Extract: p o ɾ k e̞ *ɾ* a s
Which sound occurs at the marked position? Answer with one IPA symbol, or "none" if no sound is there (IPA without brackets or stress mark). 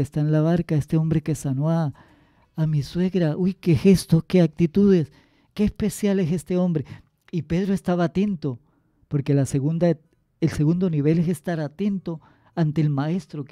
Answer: l